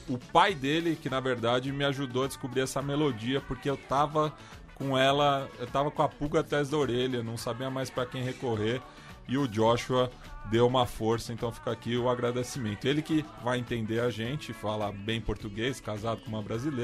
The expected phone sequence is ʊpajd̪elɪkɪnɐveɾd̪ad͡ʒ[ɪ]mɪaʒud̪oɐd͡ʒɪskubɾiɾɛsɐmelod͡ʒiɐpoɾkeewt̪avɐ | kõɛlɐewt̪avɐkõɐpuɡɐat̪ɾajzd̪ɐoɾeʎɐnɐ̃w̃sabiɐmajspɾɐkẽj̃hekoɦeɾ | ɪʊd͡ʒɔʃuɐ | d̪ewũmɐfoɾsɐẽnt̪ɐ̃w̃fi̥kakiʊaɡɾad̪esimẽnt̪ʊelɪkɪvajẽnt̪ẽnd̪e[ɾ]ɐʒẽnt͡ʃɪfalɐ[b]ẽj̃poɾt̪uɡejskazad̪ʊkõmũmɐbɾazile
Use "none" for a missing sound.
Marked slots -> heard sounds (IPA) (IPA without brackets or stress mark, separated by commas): ɪ, ɾ, b